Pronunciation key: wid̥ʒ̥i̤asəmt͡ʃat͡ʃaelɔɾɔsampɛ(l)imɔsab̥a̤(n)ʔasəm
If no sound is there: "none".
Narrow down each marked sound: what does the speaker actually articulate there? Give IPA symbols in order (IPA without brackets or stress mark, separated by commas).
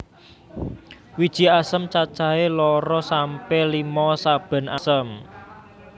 l, n